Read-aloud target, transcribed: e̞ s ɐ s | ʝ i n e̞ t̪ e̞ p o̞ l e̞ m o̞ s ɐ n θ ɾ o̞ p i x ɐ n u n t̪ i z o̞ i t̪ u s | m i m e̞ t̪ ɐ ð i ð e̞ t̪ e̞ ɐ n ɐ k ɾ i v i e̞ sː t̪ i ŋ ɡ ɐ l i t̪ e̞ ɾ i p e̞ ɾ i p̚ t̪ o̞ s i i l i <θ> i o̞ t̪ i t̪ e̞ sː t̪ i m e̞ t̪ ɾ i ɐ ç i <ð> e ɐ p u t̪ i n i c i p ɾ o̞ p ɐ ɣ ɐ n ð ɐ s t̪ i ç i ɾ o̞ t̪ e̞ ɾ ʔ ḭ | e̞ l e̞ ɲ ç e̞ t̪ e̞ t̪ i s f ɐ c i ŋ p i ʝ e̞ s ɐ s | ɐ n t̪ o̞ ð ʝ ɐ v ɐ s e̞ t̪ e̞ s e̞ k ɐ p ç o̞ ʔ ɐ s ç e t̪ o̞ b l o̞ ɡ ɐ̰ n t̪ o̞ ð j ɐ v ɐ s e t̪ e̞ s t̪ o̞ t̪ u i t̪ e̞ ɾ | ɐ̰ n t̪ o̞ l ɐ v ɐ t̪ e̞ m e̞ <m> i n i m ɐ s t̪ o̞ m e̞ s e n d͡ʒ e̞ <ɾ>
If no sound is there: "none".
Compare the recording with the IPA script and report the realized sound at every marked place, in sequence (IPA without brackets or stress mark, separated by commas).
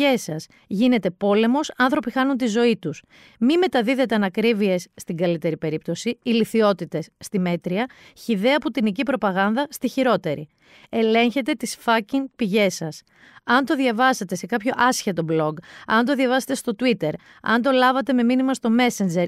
θ, ð, m, ɾ